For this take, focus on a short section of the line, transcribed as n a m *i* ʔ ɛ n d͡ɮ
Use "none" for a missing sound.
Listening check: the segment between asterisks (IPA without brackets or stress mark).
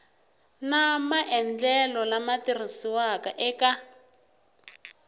a